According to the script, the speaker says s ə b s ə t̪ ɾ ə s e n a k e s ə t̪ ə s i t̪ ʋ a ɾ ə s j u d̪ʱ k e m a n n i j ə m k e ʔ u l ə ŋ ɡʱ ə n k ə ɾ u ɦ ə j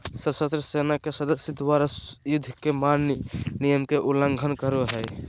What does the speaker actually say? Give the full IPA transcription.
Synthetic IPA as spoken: s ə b s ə t̪ ɾ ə s e n a k e s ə d̪ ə s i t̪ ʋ a ɾ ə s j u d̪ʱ k e m a n n i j ə m k e ʔ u l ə ŋ ɡʱ ə n k ə ɾ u ɦ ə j